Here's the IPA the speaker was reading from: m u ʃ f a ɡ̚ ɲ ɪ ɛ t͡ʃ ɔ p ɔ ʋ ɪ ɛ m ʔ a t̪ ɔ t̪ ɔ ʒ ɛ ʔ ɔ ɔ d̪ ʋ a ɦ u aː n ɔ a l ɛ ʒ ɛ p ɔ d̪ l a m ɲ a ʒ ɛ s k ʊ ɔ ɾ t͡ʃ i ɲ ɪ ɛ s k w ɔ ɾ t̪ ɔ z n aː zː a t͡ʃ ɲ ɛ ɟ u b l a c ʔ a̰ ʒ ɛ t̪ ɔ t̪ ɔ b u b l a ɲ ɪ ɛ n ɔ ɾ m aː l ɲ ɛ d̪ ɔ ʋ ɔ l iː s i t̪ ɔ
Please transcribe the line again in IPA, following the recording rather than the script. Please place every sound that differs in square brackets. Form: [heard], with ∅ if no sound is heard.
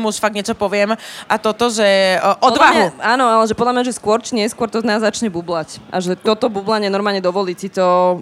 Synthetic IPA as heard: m u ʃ f a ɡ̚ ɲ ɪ ɛ t͡ʃ ɔ p ɔ ʋ ɪ ɛ m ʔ a t̪ ɔ t̪ ɔ ʒ ɛ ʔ ɔ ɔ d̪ ʋ a ɦ u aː n ɔ a l ɛ ʒ ɛ p ɔ d̪ l a m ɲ a ʒ ɛ s k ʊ ɔ ɾ t͡ʃ i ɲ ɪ ɛ s k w ɔ ɾ t̪ ɔ z n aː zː a t͡ʃ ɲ ɛ [b] u b l a c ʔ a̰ ʒ ɛ t̪ ɔ t̪ ɔ b u b l a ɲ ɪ ɛ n ɔ ɾ m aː l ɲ ɛ d̪ ɔ ʋ ɔ l iː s i t̪ ɔ